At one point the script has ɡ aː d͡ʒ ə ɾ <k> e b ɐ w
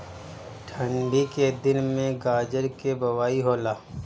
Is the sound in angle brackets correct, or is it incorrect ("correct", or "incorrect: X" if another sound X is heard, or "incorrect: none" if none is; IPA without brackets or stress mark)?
correct